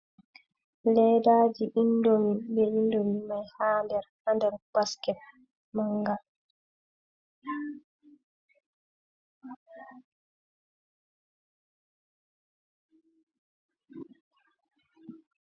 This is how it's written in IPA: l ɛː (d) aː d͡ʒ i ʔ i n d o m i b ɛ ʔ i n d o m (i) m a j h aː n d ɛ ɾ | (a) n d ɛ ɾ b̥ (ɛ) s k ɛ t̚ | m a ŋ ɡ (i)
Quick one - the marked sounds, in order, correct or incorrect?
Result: correct, correct, correct, incorrect, incorrect

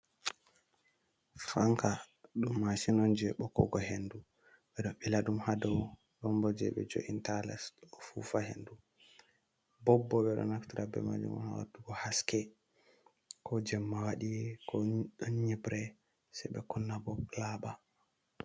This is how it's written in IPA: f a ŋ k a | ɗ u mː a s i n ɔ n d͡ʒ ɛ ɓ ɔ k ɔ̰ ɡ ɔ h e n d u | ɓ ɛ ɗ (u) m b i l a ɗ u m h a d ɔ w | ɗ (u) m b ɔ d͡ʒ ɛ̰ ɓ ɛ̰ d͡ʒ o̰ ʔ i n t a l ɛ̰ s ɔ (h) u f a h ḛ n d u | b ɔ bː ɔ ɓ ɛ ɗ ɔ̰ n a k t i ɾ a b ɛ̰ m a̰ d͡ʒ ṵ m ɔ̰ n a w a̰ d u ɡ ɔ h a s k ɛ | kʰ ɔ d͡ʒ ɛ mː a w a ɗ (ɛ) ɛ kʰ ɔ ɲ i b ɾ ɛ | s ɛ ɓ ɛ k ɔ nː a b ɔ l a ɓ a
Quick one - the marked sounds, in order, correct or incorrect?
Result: incorrect, incorrect, incorrect, incorrect

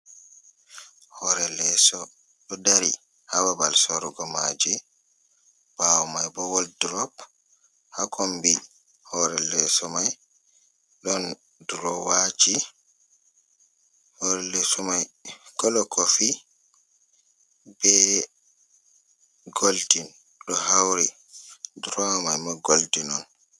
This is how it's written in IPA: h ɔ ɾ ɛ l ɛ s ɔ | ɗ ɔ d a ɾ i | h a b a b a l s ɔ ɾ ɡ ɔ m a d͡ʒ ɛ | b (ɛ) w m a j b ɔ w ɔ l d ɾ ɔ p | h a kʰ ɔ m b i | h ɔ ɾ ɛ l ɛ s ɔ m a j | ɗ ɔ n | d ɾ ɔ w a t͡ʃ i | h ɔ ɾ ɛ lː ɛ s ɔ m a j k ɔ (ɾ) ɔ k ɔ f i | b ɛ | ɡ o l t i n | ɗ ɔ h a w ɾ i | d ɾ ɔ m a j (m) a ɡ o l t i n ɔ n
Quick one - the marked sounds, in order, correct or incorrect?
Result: incorrect, incorrect, correct

